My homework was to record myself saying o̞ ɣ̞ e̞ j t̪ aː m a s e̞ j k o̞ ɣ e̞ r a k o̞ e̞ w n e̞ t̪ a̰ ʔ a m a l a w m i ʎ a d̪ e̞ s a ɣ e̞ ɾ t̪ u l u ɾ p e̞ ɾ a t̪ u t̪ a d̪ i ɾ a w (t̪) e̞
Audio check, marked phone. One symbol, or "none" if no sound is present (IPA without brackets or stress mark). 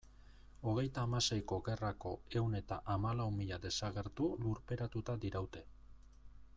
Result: t̪